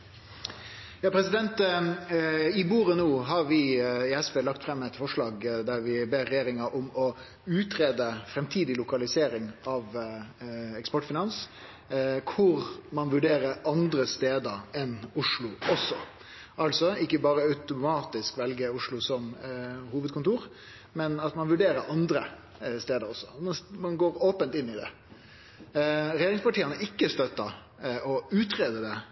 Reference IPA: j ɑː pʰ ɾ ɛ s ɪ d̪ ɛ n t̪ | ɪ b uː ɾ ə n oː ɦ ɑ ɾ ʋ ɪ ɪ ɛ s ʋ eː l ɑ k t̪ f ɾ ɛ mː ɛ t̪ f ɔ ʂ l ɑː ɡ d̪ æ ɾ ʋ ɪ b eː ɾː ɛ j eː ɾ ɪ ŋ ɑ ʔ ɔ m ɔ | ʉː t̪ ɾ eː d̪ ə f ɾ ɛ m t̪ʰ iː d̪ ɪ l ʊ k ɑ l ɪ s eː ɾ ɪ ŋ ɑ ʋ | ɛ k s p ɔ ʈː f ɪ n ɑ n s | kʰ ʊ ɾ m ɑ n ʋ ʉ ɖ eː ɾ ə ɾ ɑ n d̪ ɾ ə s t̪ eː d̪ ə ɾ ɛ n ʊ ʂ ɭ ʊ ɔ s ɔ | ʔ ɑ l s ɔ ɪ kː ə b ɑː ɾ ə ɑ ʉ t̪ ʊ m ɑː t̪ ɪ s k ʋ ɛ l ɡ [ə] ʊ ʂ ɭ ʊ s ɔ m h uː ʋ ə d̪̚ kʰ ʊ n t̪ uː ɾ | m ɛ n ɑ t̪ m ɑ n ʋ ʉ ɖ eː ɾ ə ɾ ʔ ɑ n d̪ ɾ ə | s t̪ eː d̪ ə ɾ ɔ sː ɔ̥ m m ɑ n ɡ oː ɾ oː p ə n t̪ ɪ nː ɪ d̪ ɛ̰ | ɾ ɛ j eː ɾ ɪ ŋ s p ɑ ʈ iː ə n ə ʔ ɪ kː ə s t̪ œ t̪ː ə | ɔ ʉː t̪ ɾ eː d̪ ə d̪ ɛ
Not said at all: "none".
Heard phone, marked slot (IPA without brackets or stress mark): ə